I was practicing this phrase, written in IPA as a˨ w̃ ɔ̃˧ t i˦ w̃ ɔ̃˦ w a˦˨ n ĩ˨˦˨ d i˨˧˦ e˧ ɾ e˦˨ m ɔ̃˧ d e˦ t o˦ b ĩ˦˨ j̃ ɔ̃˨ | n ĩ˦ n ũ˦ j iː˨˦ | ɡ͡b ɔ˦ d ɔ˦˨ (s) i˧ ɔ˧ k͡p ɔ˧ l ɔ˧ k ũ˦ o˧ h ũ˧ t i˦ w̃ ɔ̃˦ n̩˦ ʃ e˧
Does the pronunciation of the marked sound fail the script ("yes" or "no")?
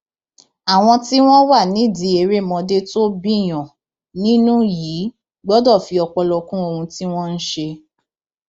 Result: yes